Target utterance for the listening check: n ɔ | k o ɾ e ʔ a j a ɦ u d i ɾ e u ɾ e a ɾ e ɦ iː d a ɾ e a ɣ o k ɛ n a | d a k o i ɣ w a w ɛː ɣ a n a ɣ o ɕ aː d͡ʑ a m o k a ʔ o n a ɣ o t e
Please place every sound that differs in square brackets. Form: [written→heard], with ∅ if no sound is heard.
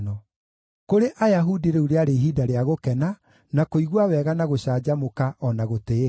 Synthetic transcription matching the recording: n ɔ | k o ɾ e ʔ a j a ɦ u d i ɾ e u ɾ e a ɾ e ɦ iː d a ɾ e a ɣ o k ɛ n a | [d→n] a k o i ɣ w a w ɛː ɣ a n a ɣ o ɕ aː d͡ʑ a m o k a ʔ [o→ɔ] n a ɣ o t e